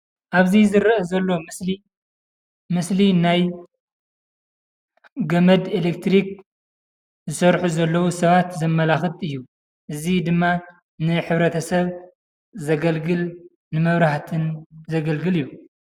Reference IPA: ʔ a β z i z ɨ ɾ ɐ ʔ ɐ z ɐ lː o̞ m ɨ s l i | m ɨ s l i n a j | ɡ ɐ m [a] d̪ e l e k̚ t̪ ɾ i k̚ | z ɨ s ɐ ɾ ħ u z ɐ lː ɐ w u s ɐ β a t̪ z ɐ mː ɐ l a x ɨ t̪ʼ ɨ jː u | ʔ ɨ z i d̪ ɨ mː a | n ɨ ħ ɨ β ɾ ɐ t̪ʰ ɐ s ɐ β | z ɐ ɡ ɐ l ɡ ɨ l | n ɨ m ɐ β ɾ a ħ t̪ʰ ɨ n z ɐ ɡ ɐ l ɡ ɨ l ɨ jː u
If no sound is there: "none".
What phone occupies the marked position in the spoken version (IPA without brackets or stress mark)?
ɐ